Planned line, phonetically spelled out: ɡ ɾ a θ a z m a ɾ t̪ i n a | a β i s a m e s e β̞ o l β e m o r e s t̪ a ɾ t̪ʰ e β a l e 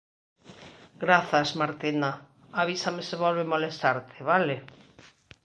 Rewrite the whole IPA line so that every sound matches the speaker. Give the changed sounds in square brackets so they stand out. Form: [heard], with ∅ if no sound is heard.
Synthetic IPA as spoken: ɡ ɾ a θ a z m a ɾ t̪ i n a | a β i s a m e s e β̞ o l β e m o [l] e s t̪ a ɾ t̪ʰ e β a l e